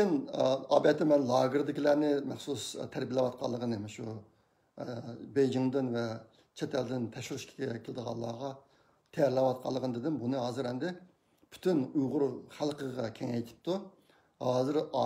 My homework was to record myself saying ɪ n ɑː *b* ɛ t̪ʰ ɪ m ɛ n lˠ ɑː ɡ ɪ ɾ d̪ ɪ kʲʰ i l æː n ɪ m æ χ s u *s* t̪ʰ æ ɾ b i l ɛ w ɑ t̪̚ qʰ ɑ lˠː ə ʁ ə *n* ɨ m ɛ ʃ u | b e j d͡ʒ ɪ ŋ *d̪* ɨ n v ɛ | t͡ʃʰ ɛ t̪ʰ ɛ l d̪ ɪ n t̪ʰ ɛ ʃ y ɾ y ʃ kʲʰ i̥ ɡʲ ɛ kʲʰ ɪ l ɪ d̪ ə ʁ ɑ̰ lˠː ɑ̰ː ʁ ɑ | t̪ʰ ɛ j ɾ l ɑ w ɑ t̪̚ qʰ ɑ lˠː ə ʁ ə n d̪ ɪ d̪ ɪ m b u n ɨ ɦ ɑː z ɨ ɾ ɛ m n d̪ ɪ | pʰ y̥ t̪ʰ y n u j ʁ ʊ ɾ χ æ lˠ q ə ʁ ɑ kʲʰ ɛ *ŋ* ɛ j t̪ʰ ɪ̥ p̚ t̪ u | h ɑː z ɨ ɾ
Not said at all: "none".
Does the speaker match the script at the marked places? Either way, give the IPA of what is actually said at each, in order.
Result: b, s, n, d̪, ŋ

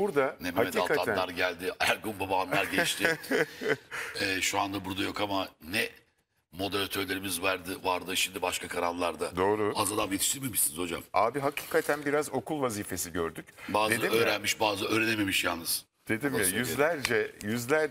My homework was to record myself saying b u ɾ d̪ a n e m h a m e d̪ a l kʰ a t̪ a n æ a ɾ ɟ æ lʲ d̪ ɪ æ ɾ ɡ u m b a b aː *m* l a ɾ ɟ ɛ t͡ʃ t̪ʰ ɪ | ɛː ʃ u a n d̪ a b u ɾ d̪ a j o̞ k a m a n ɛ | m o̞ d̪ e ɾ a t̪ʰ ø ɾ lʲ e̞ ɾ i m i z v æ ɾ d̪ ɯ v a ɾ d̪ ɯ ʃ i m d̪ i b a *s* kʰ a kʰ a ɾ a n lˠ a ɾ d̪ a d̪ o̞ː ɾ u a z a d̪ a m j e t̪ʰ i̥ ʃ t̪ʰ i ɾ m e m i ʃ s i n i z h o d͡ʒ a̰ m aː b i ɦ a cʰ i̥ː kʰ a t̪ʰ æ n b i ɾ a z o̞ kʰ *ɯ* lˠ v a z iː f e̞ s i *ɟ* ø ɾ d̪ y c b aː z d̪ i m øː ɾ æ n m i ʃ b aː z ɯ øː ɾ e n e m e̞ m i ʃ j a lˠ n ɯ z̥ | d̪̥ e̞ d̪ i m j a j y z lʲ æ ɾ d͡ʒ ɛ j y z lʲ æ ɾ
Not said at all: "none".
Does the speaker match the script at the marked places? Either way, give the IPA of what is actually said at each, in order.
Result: n, ʃ, u, ɟ

